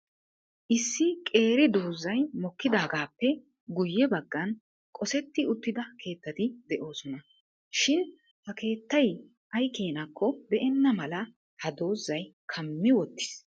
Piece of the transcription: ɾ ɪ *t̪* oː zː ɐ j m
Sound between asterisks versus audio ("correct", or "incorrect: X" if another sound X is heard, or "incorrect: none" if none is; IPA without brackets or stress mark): incorrect: d̪